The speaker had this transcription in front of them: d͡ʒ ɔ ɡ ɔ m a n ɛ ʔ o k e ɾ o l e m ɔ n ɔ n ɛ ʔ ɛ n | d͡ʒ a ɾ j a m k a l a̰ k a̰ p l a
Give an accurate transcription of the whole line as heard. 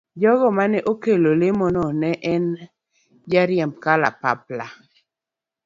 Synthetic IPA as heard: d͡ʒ ɔ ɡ ɔ m a n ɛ ʔ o k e l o l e m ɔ n ɔ n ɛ ʔ ɛ n | d͡ʒ a ɾ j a m k a l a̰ p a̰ p l a